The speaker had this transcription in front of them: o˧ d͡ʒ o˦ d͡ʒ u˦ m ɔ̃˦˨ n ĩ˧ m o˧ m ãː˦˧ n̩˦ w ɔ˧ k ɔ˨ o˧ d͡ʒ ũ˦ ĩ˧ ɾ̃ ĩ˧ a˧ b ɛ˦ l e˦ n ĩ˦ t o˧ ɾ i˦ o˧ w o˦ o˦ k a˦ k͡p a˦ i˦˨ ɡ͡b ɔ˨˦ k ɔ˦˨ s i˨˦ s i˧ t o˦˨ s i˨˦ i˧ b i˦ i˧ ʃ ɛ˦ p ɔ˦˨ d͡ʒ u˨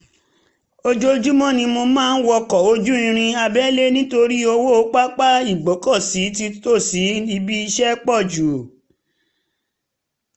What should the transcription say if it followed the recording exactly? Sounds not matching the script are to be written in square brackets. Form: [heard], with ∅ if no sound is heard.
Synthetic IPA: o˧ d͡ʒ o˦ d͡ʒ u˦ m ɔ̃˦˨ n ĩ˧ m o˧ m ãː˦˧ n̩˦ w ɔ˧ k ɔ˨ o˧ d͡ʒ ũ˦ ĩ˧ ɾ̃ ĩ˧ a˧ b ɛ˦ l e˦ n ĩ˦ t o˧ ɾ i˦ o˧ w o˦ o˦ [k͡p] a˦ k͡p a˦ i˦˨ ɡ͡b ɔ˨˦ k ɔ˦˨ s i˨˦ [t] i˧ t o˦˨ s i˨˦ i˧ b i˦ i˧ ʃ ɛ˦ [k͡p] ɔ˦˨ d͡ʒ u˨

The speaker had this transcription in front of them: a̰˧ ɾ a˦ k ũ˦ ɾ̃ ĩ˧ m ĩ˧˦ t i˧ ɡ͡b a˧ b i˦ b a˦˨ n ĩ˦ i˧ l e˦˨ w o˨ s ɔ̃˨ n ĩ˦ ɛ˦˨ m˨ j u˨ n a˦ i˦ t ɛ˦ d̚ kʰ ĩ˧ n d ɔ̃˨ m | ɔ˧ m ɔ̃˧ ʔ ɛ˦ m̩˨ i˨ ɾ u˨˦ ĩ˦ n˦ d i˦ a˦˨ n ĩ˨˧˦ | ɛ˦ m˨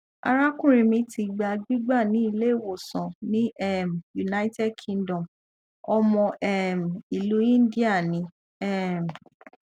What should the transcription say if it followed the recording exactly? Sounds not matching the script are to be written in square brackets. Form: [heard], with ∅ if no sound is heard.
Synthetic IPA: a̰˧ ɾ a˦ k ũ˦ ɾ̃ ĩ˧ m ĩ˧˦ t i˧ ɡ͡b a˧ [ɡ͡b] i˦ [ɡ͡b] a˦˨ n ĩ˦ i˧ l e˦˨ w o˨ s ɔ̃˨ n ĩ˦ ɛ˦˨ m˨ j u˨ n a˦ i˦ t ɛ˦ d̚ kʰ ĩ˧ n d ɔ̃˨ m | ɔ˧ m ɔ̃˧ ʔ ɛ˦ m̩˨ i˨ [l] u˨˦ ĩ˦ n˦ d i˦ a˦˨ n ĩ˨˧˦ | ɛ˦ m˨

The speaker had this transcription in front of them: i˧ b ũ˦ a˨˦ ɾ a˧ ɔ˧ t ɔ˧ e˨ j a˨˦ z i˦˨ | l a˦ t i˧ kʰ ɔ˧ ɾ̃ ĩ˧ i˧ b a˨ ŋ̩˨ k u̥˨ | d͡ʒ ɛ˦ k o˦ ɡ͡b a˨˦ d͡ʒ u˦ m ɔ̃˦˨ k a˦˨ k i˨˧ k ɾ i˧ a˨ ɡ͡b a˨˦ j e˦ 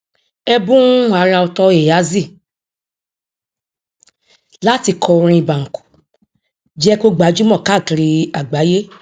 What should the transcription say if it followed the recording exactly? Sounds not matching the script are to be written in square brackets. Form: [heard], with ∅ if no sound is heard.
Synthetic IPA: [ɛ˧] b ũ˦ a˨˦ ɾ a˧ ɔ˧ t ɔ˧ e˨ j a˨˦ z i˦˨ | l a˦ t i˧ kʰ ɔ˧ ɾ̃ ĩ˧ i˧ b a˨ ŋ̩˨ k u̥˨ | d͡ʒ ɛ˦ k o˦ ɡ͡b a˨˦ d͡ʒ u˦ m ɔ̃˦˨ k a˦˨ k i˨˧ [∅] ɾ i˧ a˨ ɡ͡b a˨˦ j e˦

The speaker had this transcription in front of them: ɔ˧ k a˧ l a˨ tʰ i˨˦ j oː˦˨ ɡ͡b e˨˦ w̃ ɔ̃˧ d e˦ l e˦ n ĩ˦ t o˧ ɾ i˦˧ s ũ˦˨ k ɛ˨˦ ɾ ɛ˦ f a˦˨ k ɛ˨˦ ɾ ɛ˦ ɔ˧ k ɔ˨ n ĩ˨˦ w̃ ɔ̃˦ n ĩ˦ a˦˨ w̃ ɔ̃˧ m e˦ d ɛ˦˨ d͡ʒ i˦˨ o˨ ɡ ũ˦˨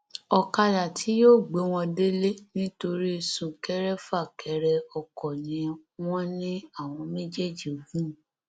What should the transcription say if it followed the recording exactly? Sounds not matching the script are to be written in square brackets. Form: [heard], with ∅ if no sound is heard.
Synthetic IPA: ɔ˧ k a˧ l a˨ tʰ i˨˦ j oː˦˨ ɡ͡b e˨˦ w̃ ɔ̃˧ d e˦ l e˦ n ĩ˦ t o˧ ɾ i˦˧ s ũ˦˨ k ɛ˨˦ ɾ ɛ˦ f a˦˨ k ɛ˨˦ ɾ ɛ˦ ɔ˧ k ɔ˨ n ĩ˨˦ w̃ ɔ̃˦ n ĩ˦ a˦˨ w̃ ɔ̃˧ m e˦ [d͡ʒ] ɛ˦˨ d͡ʒ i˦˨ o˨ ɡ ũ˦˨

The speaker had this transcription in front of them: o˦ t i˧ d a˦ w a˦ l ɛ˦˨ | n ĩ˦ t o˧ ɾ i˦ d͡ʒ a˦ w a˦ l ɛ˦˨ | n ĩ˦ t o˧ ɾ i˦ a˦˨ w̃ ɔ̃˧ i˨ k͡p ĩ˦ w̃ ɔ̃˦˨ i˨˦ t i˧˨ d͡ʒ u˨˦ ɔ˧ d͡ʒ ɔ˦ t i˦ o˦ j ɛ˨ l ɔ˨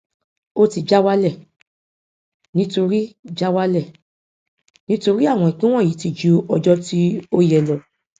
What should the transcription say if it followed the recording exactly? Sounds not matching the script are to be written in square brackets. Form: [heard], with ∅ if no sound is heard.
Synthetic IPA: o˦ t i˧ [d͡ʒ] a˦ w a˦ l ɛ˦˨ | n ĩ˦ t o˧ ɾ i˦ d͡ʒ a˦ w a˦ l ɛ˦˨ | n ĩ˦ t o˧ ɾ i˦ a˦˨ w̃ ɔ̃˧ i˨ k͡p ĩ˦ w̃ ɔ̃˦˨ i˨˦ t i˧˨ d͡ʒ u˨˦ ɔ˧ d͡ʒ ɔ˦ t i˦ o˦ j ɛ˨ l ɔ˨

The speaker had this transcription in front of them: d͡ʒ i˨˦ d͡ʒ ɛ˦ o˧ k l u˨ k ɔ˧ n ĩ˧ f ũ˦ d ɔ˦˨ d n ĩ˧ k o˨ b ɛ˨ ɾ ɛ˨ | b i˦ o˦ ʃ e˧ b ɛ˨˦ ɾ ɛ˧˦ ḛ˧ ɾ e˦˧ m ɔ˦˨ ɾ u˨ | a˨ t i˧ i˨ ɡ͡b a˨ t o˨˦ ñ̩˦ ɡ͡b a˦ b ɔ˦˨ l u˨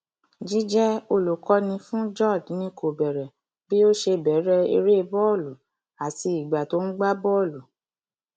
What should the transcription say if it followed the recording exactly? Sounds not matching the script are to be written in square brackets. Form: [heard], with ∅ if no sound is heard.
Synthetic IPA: d͡ʒ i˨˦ d͡ʒ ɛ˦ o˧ [∅] l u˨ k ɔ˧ n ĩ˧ f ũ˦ [d͡ʒ] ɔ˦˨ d n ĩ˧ k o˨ b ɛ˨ ɾ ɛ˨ | b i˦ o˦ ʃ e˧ b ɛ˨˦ ɾ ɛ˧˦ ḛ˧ ɾ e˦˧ [b] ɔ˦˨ [l] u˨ | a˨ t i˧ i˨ ɡ͡b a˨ t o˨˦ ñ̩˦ ɡ͡b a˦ b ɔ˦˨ l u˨

